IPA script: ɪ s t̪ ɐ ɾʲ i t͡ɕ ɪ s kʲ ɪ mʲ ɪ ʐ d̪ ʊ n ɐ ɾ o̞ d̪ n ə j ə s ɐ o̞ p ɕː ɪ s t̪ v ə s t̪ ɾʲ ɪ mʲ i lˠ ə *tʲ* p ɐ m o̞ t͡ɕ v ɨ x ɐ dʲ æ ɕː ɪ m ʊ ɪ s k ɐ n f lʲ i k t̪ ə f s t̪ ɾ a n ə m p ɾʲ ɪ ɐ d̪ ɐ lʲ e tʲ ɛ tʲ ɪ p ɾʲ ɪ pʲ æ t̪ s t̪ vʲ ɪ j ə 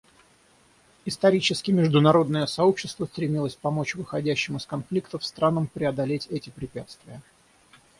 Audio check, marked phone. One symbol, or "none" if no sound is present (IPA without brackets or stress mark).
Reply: sʲ